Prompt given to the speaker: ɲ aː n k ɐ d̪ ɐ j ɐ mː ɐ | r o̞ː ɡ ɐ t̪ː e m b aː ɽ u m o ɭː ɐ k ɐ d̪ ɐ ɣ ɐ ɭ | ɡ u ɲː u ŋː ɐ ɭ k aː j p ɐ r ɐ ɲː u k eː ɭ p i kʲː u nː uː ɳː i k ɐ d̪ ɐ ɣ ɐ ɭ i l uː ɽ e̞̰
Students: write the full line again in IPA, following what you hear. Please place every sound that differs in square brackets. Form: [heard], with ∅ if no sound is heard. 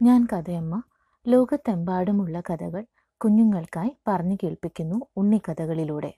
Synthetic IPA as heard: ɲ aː n k ɐ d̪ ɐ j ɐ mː ɐ | [l] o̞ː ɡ ɐ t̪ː e m b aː ɽ u m [u] ɭː ɐ k ɐ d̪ ɐ ɣ ɐ ɭ | [k] u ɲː u ŋː ɐ ɭ k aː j p ɐ r ɐ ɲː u k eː ɭ p i kʲː u nː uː ɳː i k ɐ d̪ ɐ ɣ ɐ ɭ i l uː ɽ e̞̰